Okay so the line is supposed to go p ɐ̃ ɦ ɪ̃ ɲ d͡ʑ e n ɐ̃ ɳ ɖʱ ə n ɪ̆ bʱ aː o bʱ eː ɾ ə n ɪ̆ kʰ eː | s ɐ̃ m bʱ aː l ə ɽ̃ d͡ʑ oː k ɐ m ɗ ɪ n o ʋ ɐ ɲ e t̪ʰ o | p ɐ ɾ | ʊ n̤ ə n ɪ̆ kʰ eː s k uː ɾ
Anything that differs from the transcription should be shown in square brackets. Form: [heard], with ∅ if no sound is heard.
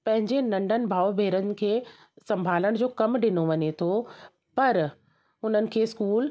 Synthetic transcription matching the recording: p ɐ̃ ɦ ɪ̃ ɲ d͡ʑ e n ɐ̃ ɳ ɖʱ ə n ɪ̆ bʱ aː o bʱ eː ɾ ə n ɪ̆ kʰ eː | s ɐ̃ m bʱ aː l ə ɽ̃ d͡ʑ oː k ɐ m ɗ ɪ n o ʋ ɐ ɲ e t̪ʰ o | p ɐ ɾ | ʊ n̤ ə n ɪ̆ kʰ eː s k uː [l]